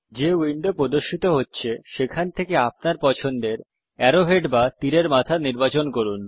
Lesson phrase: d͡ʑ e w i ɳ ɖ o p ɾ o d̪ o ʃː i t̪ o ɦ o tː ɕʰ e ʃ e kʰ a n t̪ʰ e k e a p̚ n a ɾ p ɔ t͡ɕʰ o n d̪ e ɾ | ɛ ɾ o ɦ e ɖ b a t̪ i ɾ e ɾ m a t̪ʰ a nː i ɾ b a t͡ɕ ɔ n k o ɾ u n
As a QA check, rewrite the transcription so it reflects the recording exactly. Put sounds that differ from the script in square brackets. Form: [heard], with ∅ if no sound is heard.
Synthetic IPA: d͡ʑ e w i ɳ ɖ o p ɾ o d̪ o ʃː i t̪ o ɦ o tː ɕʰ e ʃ e kʰ a n t̪ʰ e k e a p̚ n a ɾ p ɔ t͡ɕʰ o n d̪ e ɾ | ɛ ɾ o ɦ e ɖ b a t̪ i ɾ e ɾ m a t̪ʰ a [n] i ɾ b a t͡ɕ [o] n k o ɾ u n